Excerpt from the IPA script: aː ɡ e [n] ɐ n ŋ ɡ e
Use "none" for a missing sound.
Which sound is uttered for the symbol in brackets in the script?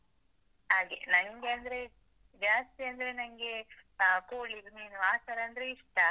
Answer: n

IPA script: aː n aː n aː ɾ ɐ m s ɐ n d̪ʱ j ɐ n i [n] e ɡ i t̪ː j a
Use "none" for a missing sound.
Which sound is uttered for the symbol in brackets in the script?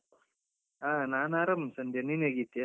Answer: n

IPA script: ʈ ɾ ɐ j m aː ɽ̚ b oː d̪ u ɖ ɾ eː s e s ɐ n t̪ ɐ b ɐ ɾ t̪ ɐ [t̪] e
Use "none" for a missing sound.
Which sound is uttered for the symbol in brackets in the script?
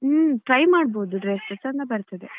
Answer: d̪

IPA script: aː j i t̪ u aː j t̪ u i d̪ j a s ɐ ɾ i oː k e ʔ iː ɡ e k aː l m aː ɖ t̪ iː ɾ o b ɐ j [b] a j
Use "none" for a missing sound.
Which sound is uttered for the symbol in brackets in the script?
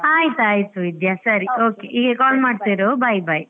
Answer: b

